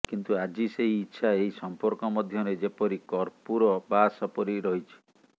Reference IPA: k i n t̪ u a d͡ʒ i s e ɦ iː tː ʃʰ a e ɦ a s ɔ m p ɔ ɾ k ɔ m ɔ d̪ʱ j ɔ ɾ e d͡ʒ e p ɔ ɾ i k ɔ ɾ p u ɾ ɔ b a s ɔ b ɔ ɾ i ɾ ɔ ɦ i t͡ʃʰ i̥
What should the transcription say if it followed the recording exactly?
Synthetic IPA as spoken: k i n t̪ u a d͡ʒ i s e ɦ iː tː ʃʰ a e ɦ i s ɔ m p ɔ ɾ k ɔ m ɔ d̪ʱ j ɔ ɾ e d͡ʒ e p ɔ ɾ i k ɔ ɾ p u ɾ ɔ b a s ɔ p ɔ ɾ i ɾ ɔ ɦ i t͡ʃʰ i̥